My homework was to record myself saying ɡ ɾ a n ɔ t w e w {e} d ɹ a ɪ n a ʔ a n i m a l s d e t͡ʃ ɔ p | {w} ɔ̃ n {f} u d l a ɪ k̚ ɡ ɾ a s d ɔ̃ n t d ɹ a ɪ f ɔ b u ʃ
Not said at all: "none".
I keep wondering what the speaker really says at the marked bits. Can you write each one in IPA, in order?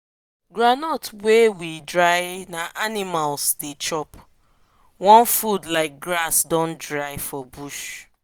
i, w, f

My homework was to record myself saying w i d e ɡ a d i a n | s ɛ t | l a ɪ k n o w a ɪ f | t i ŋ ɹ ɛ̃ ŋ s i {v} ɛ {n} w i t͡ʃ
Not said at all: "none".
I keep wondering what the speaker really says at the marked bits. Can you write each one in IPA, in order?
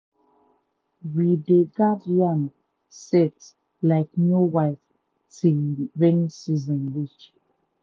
z, n

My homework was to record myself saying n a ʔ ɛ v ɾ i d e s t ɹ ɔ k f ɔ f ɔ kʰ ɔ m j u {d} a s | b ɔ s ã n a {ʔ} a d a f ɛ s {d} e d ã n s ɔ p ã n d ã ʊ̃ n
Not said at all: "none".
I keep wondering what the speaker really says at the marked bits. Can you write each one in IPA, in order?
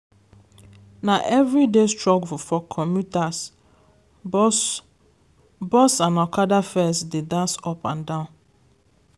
t, k, d

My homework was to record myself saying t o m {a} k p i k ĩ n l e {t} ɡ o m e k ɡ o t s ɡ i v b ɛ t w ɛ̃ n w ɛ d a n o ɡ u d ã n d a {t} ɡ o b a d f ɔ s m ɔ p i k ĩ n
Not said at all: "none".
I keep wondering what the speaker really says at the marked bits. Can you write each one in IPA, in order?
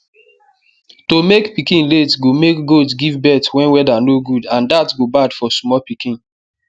e, t, t

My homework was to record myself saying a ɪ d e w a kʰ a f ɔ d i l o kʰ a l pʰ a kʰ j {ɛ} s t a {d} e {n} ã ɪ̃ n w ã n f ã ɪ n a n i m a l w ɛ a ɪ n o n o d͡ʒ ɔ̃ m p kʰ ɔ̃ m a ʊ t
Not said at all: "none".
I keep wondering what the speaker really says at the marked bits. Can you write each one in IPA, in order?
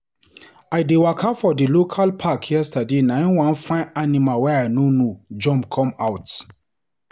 ɛ, d, n

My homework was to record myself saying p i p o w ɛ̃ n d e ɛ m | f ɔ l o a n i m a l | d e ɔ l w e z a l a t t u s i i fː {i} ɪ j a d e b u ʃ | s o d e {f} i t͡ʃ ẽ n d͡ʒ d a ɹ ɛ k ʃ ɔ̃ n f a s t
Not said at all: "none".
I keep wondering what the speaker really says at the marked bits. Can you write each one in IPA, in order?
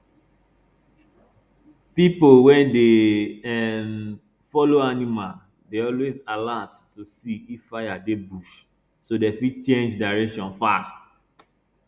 a, f

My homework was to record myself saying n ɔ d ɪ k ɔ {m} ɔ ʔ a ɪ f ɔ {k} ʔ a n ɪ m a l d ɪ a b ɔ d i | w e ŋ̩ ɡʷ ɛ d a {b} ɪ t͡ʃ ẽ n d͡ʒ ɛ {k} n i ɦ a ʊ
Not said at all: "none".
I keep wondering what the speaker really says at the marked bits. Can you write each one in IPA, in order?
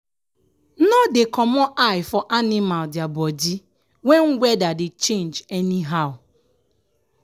m, none, d, none

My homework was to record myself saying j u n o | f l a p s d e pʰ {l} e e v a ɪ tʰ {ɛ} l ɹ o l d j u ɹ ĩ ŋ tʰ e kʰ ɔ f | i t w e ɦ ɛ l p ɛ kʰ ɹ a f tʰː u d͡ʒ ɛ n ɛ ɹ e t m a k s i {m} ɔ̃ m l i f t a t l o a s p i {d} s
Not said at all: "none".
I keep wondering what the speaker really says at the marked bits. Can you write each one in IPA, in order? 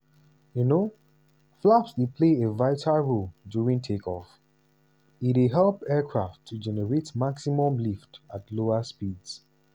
l, a, m, d

